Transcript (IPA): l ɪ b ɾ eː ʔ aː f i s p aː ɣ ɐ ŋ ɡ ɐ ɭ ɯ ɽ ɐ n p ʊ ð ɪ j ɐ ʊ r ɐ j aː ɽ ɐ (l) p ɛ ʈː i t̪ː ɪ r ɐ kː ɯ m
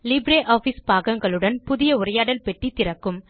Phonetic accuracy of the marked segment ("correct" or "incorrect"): correct